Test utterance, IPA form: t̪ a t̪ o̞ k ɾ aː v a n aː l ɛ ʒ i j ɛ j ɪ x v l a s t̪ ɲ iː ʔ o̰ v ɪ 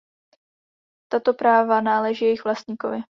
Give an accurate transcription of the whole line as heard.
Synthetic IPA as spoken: t̪ a t̪ o̞ p ɾ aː v a n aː l ɛ ʒ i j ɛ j ɪ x v l a s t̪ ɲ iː k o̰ v ɪ

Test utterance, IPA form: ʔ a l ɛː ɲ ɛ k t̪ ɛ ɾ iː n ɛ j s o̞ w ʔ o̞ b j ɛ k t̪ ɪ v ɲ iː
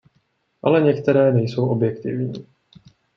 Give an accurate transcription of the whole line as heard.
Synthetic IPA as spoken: ʔ a l ɛ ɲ ɛ k t̪ ɛ ɾ ɛː n ɛ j s o̞ w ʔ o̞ b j ɛ k t̪ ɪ v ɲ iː

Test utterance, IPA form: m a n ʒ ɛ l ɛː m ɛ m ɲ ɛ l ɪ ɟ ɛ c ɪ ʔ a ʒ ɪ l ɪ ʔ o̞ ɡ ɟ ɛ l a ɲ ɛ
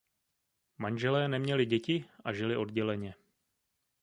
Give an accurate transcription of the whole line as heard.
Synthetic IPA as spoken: m a n ʒ ɛ l ɛː n ɛ m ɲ ɛ l ɪ ɟ ɛ c ɪ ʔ a ʒ ɪ l ɪ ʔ o̞ d ɟ ɛ l ɛ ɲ ɛ

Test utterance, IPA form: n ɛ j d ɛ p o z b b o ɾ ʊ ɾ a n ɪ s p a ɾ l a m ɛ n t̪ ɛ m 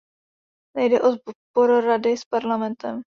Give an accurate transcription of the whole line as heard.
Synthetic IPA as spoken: n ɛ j d ɛ ʔ o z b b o ɾ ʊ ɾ a d ɪ s p a ɾ l a m ɛ n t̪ ɛ m

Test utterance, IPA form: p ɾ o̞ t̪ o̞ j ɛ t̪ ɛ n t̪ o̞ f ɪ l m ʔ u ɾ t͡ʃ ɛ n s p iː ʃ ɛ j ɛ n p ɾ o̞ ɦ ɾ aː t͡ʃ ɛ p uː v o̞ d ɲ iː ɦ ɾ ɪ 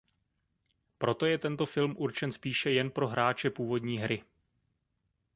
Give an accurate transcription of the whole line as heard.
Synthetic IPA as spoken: p ɾ o̞ t̪ o̞ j ɛ t̪ ɛ n t̪ o̞ f ɪ l m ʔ u ɾ t͡ʃ ɛ n s p iː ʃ ɛ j ɛ n p ɾ o̞ ɦ ɾ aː t͡ʃ ɛ p uː v o̞ d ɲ iː ɦ ɾ ɪ

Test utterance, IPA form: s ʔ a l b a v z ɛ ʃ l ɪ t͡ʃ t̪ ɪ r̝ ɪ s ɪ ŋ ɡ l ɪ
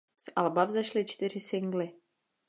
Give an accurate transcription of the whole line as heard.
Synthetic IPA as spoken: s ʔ a l b a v z ɛ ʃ l ɪ t͡ʃ t̪ ɪ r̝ ɪ s ɪ ŋ ɡ l ɪ

